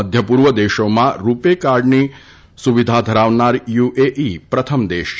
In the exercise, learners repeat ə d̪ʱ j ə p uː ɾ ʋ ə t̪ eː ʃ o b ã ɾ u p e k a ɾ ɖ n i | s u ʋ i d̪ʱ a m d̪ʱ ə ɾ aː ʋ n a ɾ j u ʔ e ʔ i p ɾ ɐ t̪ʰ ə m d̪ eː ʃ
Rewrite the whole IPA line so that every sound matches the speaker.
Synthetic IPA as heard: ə d̪ʱ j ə p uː ɾ ʋ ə d̪ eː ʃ o m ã ɾ u p e k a ɾ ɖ n i | s u ʋ i d̪ʱ a d̪ʱ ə ɾ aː ʋ n a ɾ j u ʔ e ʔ i p ɾ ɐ t̪ʰ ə m d̪ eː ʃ

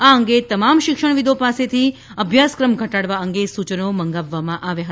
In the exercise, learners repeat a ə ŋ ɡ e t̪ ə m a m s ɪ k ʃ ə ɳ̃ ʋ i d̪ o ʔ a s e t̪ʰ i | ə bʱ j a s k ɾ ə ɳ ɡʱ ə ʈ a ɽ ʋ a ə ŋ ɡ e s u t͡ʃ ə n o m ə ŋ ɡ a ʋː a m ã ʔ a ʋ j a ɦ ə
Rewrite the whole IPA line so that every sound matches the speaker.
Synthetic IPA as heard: a ə ŋ ɡ e t̪ ə m a m ʃ ɪ k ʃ ə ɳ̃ ʋ i d̪ o p a s e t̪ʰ i | ə bʱ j a s k ɾ ə m ɡʱ ə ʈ a ɽ ʋ a ə ŋ ɡ e s u t͡ʃ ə n o m ə ŋ ɡ a ʋː a m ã ʔ a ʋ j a ɦ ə

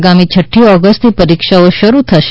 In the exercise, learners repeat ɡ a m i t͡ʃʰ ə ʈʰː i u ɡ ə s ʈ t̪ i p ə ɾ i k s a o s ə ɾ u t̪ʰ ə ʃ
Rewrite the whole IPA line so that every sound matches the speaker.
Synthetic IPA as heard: ɡ a m i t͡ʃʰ ə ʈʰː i ɔ ɡ ə s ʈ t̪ i p ə ɾ i k ʃ a o ʃ ə ɾ u t̪ʰ ə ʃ

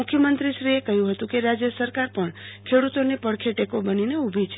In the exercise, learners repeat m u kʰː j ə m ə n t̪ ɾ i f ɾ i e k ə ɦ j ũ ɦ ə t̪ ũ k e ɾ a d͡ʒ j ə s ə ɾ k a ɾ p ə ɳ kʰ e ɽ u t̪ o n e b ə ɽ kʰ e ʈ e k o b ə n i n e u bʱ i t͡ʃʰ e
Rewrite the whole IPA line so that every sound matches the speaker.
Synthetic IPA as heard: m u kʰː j ə m ə n t̪ ɾ i ʃ ɾ i e k ə ɦ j ũ ɦ ə t̪ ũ k e ɾ a d͡ʒ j ə s ə ɾ k a ɾ p ə ɳ kʰ e ɽ u t̪ o n e p ə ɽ kʰ e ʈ e k o b ə n i n e u bʱ i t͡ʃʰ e

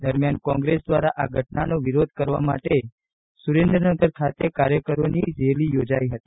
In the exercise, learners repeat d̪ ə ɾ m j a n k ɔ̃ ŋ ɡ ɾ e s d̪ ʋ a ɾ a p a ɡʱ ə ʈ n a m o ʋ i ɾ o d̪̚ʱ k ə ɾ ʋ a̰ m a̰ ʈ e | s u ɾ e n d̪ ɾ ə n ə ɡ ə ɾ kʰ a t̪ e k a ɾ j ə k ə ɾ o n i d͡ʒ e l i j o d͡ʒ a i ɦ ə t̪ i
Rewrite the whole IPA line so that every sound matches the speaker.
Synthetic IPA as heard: d̪ ə ɾ m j a n k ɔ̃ ŋ ɡ ɾ e s d̪ ʋ a ɾ a ʔ a ɡʱ ə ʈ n a n o ʋ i ɾ o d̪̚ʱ k ə ɾ ʋ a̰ m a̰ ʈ e | s u ɾ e n d̪ ɾ ə n ə ɡ ə ɾ kʰ a t̪ e k a ɾ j ə k ə ɾ o n i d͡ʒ e l i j o d͡ʒ a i ɦ ə t̪ i

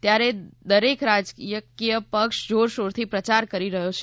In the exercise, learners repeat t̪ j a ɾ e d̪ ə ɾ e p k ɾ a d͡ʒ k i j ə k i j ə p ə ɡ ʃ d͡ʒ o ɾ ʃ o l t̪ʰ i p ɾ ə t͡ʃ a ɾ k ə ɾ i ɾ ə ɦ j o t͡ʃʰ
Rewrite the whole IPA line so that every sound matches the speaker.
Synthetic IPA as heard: t̪ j a ɾ e d̪ ə ɾ e k ɾ a d͡ʒ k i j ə k i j ə p ə k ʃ d͡ʒ o ɾ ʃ o ɾ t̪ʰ i p ɾ ə t͡ʃ a ɾ k ə ɾ i ɾ ə ɦ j o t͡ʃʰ

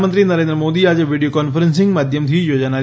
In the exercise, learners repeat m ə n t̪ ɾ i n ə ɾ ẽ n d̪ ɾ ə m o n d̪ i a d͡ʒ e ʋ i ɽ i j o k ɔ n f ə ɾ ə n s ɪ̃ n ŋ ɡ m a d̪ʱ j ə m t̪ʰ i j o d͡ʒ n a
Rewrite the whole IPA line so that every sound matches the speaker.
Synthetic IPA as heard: m ə n t̪ ɾ i n ə ɾ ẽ n d̪ ɾ ə m o d̪ i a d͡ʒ e ʋ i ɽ i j o k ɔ n f ə ɾ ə n s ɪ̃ ŋ ɡ m a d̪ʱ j ə m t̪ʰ i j o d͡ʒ n a

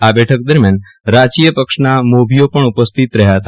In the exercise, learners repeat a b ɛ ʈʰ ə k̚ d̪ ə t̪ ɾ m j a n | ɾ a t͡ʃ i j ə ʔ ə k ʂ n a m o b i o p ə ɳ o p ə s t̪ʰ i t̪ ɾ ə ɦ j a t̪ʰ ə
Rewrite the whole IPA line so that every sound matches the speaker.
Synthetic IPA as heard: a b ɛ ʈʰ ə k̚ d̪ ə ɾ m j a n | ɾ a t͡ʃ i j ə p ə k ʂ n a m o b i o p ə ɳ u p ə s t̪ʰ i t̪ ɾ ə ɦ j a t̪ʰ a

